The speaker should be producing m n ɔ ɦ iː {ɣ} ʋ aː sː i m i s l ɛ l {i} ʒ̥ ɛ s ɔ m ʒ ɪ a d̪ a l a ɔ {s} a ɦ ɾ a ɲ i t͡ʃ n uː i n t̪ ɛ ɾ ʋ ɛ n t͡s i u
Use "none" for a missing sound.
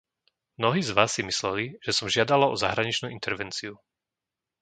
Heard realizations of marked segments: z, i, z

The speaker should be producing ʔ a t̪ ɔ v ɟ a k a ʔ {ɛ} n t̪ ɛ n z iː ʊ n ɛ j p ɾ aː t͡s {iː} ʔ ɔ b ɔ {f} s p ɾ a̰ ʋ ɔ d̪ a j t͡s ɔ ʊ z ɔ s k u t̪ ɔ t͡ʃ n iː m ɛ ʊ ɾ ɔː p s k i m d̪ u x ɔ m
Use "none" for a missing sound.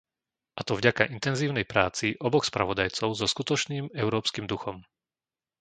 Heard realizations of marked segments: i, i, x

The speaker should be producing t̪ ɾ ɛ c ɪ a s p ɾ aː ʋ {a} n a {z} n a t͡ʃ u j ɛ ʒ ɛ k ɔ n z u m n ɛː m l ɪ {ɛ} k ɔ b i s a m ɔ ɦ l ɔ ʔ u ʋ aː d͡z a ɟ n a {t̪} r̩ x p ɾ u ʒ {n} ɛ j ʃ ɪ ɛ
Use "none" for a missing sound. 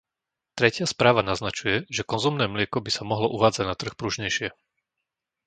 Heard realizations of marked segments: a, z, ɛ, t̪, ɲ

